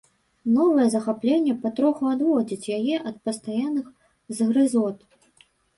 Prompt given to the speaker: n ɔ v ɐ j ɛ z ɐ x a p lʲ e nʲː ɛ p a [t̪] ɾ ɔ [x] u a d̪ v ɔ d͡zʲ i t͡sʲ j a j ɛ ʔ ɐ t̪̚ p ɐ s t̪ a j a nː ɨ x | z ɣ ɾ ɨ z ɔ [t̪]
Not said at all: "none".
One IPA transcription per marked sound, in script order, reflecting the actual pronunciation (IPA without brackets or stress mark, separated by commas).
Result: t̪, x, t̪